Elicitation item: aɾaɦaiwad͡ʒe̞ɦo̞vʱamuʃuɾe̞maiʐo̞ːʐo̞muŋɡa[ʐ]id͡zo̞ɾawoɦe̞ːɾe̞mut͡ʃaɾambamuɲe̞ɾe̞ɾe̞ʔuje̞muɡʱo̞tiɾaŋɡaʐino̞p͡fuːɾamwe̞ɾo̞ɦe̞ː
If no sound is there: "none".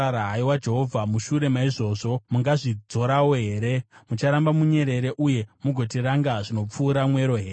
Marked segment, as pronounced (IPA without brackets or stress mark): ʐ